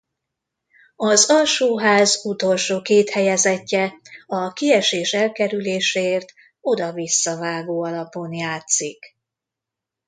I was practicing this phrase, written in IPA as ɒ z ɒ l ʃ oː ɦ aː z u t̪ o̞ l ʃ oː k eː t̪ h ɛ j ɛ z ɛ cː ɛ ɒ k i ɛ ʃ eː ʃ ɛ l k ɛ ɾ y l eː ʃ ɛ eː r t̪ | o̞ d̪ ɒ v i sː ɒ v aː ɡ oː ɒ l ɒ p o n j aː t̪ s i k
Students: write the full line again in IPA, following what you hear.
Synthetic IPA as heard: ɒ z ɒ l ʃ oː ɦ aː z u t̪ o̞ l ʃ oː k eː t̪ h ɛ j ɛ z ɛ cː ɛ ɒ k i ɛ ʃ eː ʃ ɛ l k ɛ ɾ y l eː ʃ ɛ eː r t̪ | o̞ d̪ ɒ v i sː ɒ v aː ɡ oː ɒ l ɒ p o n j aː t̪ s i k